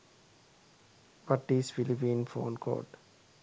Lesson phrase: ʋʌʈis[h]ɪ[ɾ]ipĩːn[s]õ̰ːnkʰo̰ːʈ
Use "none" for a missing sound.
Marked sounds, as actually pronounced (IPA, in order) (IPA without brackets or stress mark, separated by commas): f, l, f